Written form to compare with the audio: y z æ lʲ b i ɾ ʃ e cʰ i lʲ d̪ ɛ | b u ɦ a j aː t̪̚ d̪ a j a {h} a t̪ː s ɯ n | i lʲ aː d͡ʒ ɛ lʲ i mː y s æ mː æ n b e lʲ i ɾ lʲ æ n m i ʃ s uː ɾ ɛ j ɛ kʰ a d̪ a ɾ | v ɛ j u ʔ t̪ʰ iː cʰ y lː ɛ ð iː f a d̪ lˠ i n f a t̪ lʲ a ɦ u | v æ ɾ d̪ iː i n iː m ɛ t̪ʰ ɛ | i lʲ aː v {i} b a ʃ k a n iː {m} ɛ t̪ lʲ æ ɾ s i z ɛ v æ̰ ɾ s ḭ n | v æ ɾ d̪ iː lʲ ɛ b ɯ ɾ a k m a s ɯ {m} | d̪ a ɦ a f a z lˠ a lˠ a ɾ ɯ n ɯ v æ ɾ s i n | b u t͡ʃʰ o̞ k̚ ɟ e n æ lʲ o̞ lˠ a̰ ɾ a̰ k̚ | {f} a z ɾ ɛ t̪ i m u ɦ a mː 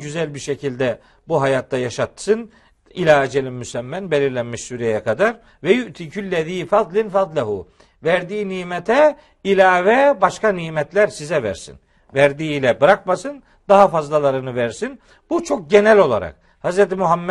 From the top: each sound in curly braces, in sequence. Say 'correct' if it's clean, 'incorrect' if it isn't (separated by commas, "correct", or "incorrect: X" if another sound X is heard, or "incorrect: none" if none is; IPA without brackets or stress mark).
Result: incorrect: ʃ, incorrect: ɛ, correct, incorrect: n, incorrect: h